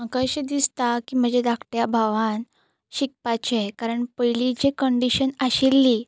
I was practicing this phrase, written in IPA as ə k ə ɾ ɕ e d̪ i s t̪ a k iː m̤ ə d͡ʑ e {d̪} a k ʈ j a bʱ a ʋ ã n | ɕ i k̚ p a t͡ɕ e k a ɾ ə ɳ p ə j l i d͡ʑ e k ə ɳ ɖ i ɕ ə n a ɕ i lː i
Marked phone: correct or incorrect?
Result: correct